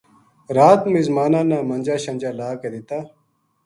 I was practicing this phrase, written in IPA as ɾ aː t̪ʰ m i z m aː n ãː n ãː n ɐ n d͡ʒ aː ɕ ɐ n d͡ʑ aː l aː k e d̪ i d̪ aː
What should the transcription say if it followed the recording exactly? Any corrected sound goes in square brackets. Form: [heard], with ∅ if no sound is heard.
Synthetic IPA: ɾ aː [t̪] m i z m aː n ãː n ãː [m] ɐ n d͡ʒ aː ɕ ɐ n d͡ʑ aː l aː k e d̪ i [t̪] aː